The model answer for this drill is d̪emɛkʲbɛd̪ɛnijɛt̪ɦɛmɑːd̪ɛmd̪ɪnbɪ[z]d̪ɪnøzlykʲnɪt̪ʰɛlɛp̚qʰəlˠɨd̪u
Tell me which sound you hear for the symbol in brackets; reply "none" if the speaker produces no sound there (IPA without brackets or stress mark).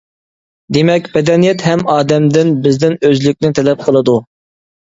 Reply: z